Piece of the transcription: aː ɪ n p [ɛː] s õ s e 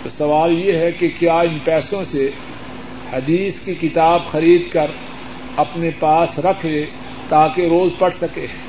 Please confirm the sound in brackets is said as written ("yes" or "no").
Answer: yes